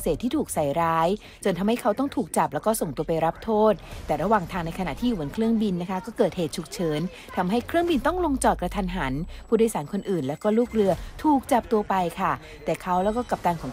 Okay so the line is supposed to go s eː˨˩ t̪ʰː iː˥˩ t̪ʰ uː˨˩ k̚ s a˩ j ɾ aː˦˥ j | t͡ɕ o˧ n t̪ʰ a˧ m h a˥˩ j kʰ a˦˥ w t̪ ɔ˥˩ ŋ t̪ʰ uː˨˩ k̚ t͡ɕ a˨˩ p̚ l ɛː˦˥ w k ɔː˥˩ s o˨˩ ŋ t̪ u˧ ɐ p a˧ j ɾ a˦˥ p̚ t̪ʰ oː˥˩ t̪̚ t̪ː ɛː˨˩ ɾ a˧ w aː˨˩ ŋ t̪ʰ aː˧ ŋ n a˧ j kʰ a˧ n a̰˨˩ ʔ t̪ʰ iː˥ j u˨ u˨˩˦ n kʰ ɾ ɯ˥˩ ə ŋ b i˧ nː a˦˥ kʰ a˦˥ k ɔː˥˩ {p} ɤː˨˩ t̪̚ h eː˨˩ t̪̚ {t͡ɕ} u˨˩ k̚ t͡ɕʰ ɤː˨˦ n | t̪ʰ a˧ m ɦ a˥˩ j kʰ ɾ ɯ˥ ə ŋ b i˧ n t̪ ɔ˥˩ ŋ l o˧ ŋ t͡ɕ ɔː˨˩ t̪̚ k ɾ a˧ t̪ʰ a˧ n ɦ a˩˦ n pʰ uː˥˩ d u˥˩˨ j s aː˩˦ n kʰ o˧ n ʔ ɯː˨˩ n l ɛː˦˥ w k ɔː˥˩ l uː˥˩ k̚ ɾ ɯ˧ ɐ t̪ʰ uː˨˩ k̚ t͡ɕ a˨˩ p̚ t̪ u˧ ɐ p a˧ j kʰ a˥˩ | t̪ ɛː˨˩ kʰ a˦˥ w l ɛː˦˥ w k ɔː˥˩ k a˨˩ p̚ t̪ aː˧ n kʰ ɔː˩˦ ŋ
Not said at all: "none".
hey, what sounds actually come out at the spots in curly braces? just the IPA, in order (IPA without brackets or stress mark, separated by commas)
k, t͡ɕʰ